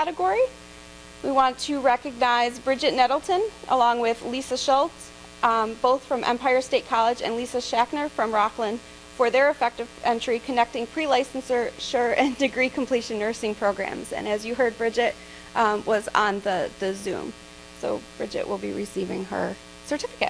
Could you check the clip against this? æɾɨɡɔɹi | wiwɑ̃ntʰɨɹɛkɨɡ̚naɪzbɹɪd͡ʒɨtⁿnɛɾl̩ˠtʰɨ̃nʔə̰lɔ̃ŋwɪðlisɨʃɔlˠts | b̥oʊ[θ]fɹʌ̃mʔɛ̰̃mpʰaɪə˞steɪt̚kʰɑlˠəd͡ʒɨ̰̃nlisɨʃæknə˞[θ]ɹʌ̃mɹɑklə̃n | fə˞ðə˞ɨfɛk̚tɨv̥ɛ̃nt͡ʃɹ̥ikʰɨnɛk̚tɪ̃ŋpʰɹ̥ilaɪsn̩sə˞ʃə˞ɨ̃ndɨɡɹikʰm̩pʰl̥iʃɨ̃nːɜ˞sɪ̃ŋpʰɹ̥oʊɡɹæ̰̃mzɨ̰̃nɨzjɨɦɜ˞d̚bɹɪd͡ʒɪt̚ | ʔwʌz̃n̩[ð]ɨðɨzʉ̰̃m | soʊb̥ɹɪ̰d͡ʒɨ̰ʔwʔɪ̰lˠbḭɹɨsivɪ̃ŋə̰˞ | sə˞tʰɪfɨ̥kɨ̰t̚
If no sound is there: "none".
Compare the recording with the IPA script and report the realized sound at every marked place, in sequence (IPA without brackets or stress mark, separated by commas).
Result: θ, f, ð